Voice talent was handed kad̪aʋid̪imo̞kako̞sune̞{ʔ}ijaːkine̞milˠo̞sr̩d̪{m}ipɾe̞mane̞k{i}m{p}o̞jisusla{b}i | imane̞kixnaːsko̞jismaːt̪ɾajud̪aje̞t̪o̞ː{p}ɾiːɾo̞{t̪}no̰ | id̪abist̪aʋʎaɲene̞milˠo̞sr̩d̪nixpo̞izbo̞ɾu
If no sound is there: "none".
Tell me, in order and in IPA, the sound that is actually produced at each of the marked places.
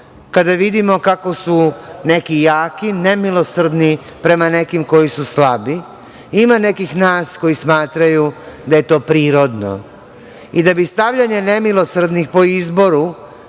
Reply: k, n, i, k, b, p, d̪

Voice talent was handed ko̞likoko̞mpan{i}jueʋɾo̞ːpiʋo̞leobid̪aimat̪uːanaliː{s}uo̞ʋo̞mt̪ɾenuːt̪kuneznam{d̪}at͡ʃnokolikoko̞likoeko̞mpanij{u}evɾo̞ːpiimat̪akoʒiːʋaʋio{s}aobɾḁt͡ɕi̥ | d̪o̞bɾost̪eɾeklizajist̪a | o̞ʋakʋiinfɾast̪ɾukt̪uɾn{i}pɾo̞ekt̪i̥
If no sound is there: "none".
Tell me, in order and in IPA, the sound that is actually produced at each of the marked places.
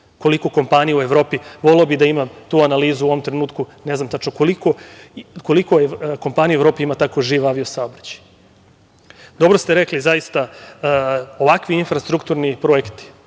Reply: i, z, t̪, u, s, i

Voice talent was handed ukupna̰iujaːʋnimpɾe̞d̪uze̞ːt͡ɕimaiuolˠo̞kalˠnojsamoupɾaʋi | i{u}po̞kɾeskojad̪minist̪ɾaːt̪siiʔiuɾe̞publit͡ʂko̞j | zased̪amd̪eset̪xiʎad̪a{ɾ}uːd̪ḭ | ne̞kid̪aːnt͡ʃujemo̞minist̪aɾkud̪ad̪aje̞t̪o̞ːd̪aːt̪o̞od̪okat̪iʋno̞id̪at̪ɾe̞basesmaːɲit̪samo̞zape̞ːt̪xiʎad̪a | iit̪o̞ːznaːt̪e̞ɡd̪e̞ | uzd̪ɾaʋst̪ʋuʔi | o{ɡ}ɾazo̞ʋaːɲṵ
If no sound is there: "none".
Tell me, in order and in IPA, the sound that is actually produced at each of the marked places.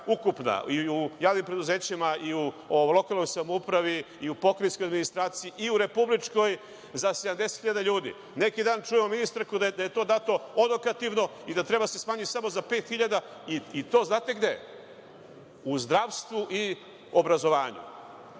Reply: u, ʎ, b

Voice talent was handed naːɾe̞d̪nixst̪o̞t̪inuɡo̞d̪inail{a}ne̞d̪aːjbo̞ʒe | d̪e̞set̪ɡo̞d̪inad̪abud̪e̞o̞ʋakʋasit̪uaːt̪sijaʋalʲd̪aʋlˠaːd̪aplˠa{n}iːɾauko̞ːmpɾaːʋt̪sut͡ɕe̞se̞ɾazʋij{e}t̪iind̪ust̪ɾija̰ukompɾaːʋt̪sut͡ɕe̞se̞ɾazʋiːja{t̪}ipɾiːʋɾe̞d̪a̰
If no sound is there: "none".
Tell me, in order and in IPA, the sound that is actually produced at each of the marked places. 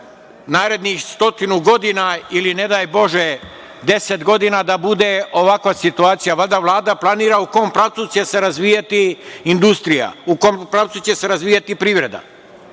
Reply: i, n, a, t̪

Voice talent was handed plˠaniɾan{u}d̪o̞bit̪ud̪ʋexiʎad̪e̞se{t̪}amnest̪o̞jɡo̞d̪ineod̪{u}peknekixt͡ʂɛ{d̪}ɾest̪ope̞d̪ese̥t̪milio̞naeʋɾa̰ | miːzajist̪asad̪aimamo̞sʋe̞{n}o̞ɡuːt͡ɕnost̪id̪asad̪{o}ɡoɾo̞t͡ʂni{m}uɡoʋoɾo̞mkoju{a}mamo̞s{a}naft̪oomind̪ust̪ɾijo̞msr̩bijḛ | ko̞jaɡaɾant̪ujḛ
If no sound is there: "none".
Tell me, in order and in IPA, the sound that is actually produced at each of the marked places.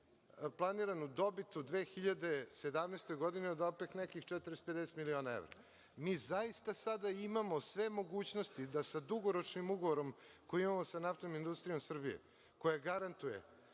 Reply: u, d̪, o, t̪, m, u, m, i, a

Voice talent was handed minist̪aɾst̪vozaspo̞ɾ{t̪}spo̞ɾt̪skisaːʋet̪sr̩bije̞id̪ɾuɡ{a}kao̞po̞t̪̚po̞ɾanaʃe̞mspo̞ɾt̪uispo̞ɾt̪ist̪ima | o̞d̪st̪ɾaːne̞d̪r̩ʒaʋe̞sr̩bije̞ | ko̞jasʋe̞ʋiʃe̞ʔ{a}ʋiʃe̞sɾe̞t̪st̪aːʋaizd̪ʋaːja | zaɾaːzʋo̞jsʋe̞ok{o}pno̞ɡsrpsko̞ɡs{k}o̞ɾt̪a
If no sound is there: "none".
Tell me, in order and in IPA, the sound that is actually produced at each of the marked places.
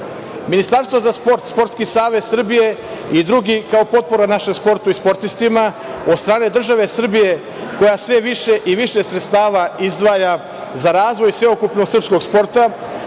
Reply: t̪, i, i, u, p

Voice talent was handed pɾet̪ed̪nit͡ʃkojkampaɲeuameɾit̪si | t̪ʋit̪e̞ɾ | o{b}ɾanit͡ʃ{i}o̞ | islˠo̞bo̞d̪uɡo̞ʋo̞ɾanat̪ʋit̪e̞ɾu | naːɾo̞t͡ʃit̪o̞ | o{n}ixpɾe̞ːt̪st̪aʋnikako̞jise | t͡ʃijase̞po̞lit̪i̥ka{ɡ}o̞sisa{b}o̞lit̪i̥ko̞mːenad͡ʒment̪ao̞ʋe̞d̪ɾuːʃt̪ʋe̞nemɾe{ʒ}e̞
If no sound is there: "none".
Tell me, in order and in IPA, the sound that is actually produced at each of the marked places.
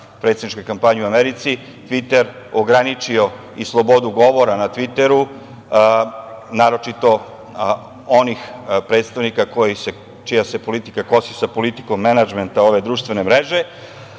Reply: ɡ, i, n, k, p, ʒ

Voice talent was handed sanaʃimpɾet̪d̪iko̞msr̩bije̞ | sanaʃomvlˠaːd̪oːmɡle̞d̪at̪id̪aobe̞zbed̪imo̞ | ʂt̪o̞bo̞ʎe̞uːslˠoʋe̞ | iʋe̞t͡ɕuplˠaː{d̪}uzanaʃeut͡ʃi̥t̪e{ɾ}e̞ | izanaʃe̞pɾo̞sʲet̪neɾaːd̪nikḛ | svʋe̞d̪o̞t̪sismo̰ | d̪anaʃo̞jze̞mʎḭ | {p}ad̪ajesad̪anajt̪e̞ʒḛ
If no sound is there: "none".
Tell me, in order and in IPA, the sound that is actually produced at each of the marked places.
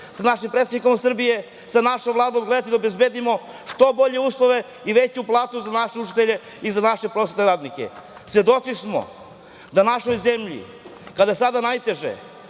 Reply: t̪, ʎ, k

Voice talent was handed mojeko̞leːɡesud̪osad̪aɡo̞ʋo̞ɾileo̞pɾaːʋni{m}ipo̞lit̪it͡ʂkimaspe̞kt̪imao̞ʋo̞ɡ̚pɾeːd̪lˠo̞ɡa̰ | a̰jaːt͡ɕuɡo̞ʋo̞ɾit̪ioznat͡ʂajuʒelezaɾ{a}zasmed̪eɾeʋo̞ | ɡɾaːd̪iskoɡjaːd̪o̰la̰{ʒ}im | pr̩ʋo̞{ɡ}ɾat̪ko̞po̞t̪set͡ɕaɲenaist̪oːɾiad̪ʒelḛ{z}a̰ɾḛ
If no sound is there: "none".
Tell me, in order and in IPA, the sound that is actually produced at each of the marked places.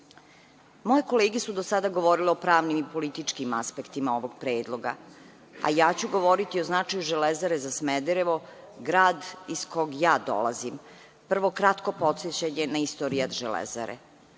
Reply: m, e, z, k, z

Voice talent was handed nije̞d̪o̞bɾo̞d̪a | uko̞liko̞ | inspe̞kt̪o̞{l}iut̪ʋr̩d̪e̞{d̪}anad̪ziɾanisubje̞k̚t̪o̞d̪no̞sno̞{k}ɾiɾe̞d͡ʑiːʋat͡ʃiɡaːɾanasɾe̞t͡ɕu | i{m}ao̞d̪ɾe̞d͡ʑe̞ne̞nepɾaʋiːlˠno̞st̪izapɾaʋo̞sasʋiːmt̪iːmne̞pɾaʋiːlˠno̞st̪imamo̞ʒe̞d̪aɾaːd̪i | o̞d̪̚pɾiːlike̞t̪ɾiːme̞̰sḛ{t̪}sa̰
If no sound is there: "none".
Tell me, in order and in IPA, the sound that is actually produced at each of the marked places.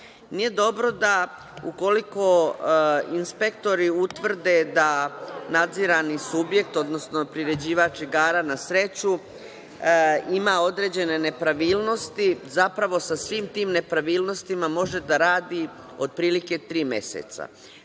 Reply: ɾ, d̪, p, m, t̪

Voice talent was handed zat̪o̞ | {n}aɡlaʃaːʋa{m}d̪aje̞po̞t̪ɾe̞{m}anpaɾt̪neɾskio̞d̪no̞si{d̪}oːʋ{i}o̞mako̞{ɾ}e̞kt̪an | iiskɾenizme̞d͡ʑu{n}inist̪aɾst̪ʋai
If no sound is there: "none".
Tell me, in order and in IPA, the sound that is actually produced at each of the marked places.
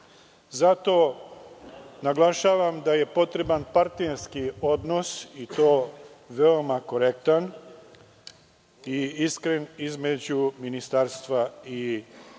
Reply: n, m, b, t̪, e, ɾ, m

